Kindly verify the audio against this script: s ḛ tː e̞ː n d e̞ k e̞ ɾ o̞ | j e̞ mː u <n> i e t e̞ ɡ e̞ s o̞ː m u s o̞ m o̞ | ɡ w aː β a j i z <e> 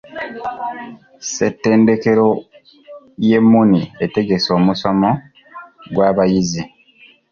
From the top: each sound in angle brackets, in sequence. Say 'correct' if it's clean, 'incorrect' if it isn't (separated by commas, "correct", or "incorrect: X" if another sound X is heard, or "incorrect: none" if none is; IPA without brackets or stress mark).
correct, incorrect: i